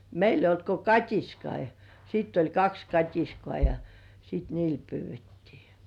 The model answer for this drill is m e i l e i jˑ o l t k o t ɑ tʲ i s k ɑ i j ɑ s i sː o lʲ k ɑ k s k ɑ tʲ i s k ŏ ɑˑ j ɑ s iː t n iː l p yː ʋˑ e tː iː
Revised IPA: m e i l e i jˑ o l t k o k ɑ tʲ i s k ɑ i j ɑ s i tː o lʲ k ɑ k s k ɑ tʲ i s k ŏ ɑˑ j ɑ s i t n iː l p yː ʋˑ e tː iː

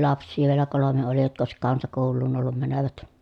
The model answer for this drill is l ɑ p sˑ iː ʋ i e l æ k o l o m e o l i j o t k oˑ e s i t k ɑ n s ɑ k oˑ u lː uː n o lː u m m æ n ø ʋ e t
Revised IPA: l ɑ p sˑ iː ʋ i e l æ k o l o m e o l i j o t k oˑ e s i k k ɑ n s ɑ k oˑ u lː uː n o lː u m m æ n ø ʋ æ t

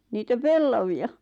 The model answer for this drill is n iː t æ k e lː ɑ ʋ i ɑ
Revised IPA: n iː t æ p e lː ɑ ʋ i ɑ

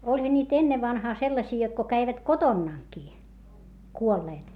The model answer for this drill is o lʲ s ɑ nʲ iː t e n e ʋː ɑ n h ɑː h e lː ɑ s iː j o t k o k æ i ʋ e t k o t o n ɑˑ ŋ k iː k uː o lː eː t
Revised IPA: o lʲ h ɑ nʲ iː t e nː e ʋː ɑ n h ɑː s e lː ɑ s iː j o t k o k æ i ʋ æ t k o t o nː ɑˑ ŋ k iː k u o lː eː t

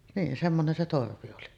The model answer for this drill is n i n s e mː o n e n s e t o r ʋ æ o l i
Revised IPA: n iː n s e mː o n e n s e t o r ʋ i o l i

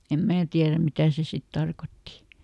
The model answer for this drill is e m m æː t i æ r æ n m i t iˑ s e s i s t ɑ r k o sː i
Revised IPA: e m m æː t i æ r æ m m i t æˑ s e s i t t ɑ r k o tː i

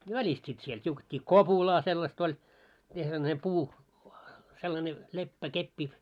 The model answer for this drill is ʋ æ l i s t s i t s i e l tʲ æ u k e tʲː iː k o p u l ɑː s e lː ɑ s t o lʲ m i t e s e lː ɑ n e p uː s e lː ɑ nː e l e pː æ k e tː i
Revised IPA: ʋ æ l i s t s i t s i e l tʲ i u k e tʲː iː k o p u l ɑː s e lː ɑ s t o lʲ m i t e s e lː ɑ n e p uː s e lː ɑ n e l e pː æ k e pː i

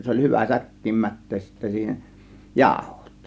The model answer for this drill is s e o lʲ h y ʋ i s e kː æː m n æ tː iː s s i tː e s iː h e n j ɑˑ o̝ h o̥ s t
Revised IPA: s e o lʲ h y ʋ æ s æ kː iː m m æ tː eː s s i tː æ s iː h e n j ɑˑ o̝ h o̥ t

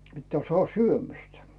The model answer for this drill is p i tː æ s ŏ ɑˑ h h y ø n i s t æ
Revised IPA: p i tː æː s ŏ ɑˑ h s y ø m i s t æ

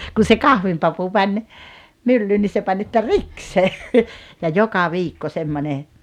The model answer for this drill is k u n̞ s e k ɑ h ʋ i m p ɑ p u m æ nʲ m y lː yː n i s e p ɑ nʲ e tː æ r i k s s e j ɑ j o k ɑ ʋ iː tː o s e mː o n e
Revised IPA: k u n̞ s e k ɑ h ʋ i m p ɑ p u m æ nʲ m y lː yː n i s e p ɑ nʲ e tː æ r i k s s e j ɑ j o k ɑ ʋ iː kː o s e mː o n e

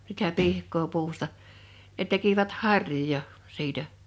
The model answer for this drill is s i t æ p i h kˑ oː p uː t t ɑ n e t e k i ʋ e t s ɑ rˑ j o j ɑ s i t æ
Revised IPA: s i t æ p i h kˑ oː p uː s t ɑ n e t e k i ʋ æ t h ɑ rˑ j o j ɑ s iː t æ

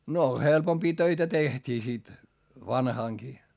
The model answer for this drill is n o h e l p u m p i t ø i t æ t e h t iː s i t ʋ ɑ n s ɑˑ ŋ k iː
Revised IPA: n o h e l p o m p iː t ø i t æ t e h t iː s i t ʋ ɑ n h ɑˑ ŋ k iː

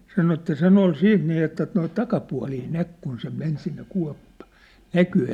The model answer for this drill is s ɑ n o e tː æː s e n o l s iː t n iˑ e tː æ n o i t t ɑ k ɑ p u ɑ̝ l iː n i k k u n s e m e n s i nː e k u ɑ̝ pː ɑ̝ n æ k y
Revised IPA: s ɑ n o e tː æ s e n o l s iː t n iˑ e tː æ n o i t t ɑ k ɑ p u ɑ̝ l iː n æ k k u n s e m e n s i nː e k u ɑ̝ pː ɑ̝ n æ k y

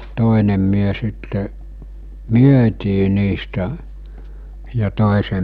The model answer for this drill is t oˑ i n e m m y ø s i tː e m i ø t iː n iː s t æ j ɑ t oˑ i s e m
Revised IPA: t oˑ e n e m m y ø s i tː e m y ø t iː n iː s t æ j ɑ t oˑ e s e m

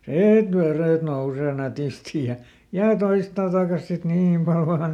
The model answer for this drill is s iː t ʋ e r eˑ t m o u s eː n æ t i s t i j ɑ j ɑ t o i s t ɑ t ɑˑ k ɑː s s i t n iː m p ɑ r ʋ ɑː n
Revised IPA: s iː t ʋ e r eˑ t n o u s eː n æ t i s t i j ɑ j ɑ t o i s t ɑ t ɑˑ k ɑ s s i t n iː m p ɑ l ʋ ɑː n

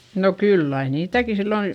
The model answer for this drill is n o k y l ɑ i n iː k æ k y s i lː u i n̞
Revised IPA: n o k y lː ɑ i n iː t æ k i s i lː o i n̞

